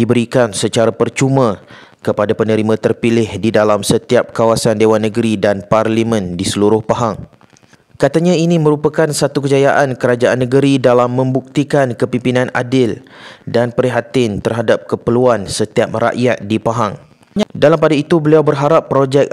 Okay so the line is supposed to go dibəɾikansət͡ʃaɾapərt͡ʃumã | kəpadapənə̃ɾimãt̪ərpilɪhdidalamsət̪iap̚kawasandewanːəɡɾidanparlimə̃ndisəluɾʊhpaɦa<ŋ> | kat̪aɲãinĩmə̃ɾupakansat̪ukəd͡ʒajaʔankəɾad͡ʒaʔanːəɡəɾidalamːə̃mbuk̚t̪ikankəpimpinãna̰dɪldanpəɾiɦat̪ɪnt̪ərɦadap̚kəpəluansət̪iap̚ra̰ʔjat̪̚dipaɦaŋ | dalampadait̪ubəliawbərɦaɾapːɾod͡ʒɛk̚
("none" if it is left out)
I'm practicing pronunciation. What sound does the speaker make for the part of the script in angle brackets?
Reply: ŋ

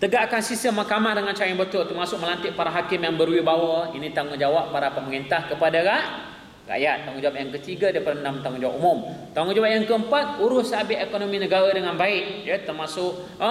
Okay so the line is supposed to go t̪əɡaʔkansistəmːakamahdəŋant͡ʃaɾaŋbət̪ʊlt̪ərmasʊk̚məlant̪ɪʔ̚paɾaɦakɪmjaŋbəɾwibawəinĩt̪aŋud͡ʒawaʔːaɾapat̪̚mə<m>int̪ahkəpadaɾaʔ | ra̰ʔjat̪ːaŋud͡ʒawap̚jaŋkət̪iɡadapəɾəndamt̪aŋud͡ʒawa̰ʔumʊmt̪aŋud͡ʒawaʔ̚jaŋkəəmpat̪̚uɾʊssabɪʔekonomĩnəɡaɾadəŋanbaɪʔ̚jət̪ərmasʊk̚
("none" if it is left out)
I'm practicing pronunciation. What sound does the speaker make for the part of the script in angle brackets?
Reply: ŋ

